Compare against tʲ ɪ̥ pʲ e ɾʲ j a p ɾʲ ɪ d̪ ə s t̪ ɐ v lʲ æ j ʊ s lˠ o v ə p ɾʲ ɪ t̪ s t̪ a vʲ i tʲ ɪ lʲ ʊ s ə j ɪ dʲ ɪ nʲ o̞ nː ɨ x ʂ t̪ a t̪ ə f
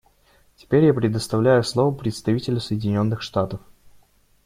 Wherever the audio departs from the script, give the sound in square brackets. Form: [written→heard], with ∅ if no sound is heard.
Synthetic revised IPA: tʲ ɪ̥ pʲ e ɾʲ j a p ɾʲ ɪ d̪ ə s t̪ ɐ v lʲ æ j ʊ s lˠ o v ə p ɾʲ ɪ t̪ s t̪ [a→ɐ] vʲ i tʲ ɪ lʲ ʊ s ə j ɪ dʲ ɪ nʲ o̞ nː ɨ x ʂ t̪ a t̪ ə f

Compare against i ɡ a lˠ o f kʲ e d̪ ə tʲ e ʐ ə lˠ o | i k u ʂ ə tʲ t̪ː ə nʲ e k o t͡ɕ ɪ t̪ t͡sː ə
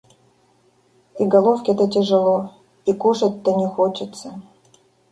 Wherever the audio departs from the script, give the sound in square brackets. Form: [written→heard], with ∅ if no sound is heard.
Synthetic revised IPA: i ɡ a lˠ o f kʲ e [d̪→t̪] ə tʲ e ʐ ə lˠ o | i k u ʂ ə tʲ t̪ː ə nʲ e [k→x] o t͡ɕ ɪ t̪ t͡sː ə

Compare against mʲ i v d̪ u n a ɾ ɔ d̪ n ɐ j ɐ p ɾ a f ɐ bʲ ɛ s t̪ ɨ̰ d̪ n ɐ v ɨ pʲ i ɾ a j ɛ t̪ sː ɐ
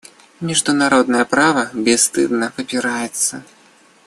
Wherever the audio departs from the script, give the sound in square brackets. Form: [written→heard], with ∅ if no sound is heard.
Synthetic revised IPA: mʲ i [v→ʐ] d̪ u n a ɾ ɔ d̪ n ɐ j ɐ p ɾ a [f→v] ɐ bʲ ɛ s t̪ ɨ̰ d̪ n ɐ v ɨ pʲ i ɾ a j ɛ t̪ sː ɐ

